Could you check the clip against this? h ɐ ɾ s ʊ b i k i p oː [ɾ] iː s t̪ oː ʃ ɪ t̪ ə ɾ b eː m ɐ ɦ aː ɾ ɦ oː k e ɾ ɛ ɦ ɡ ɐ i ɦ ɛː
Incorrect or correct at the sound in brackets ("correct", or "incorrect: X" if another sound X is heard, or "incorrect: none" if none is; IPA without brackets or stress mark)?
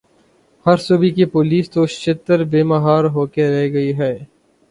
incorrect: l